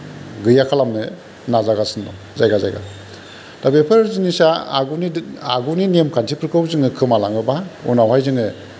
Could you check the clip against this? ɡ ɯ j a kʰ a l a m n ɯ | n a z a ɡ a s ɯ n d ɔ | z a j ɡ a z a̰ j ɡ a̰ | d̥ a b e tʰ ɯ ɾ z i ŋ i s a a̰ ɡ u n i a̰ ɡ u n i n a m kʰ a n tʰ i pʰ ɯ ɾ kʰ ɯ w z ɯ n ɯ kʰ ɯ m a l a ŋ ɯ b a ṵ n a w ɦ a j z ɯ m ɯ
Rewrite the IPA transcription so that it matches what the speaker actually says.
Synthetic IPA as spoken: ɡ ɯ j a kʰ a l a m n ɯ | n a z a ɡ a s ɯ n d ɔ | z a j ɡ a z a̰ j ɡ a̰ | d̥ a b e pʰ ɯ ɾ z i n i s a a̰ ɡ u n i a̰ ɡ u n i n e m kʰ a n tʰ i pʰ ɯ ɾ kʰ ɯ w z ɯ ŋ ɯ kʰ ɯ m a l a ŋ ɯ b a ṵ n a w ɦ a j z ɯ ŋ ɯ